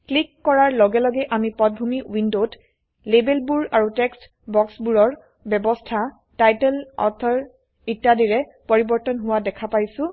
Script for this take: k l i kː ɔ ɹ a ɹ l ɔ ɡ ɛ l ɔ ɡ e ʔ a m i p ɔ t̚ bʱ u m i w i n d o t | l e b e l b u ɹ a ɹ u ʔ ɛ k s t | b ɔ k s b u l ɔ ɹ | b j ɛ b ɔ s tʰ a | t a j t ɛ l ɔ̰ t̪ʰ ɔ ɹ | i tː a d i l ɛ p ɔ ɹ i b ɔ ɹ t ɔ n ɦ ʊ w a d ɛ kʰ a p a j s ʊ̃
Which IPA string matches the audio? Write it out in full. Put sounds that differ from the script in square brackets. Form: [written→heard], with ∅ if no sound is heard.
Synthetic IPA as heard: k l i kː ɔ ɹ a ɹ l ɔ ɡ ɛ l ɔ ɡ [e→ɛ] ʔ a m i p ɔ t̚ bʱ u m i w i n d o t | l e b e l b u ɹ a ɹ u [ʔ→t] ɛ k s t | b ɔ k s b u [l→ɹ] ɔ ɹ | b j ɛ b ɔ s tʰ a | t a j t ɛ l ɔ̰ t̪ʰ ɔ ɹ | i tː a d i [l→ɹ] ɛ p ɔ ɹ i b ɔ ɹ t ɔ n ɦ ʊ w a d ɛ kʰ a p a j s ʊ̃